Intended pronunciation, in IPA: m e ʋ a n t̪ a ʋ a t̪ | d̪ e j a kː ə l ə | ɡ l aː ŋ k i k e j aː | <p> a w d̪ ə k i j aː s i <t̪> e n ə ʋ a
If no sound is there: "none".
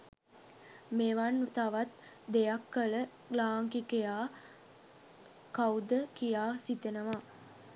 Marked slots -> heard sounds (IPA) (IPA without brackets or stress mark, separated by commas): k, t̪